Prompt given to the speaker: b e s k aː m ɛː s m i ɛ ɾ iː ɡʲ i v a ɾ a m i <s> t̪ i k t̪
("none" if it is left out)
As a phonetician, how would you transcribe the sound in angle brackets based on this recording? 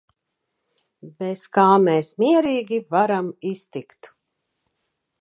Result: s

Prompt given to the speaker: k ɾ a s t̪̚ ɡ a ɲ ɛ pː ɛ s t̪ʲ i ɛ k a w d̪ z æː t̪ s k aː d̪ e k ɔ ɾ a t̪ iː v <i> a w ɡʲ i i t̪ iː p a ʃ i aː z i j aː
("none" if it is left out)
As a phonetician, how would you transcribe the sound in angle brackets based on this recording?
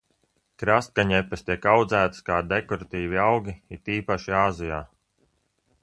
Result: i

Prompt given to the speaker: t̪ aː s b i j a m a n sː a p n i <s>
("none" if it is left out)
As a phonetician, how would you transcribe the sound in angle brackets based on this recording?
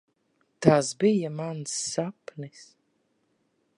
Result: s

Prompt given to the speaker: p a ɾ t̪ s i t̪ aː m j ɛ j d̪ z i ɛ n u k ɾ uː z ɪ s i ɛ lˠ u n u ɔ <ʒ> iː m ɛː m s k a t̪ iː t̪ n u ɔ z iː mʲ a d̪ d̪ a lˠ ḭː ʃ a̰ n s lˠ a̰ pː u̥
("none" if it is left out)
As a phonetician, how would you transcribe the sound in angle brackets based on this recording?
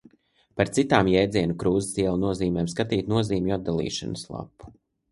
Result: z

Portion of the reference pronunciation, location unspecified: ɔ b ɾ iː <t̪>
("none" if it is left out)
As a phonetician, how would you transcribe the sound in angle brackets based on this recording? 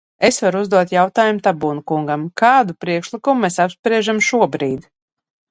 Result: d̪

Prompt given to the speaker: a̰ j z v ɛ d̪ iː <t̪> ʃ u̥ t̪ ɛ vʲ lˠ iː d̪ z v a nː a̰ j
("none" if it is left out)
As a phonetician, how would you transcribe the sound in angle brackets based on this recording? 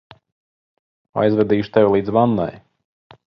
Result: none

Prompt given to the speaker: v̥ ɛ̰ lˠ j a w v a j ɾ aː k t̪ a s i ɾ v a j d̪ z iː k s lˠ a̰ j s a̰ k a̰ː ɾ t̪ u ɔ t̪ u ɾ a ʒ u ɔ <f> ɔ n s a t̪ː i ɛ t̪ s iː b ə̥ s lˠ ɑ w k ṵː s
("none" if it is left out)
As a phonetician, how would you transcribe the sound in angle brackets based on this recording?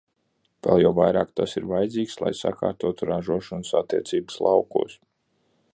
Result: ʃ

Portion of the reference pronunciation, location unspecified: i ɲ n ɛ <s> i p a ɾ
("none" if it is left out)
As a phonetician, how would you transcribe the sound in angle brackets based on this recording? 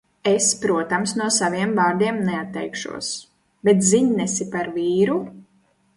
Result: s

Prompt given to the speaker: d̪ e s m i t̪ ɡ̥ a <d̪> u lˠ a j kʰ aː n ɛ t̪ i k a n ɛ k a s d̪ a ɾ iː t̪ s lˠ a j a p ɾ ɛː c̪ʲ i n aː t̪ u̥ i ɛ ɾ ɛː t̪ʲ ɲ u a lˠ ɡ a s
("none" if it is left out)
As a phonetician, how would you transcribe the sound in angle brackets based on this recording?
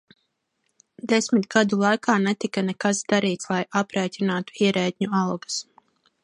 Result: d̪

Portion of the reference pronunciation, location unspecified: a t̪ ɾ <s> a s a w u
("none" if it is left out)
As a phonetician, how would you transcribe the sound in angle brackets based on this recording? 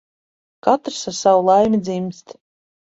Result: s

